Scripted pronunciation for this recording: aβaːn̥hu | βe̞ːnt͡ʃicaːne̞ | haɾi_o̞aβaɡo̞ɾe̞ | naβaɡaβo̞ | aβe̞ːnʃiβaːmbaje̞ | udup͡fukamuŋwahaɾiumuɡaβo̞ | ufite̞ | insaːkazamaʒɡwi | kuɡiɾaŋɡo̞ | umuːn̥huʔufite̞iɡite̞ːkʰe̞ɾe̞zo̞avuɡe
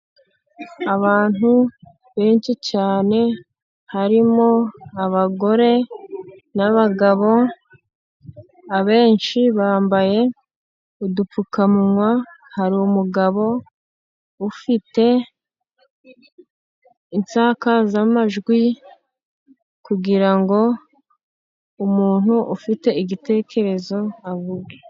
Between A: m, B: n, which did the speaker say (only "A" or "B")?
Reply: A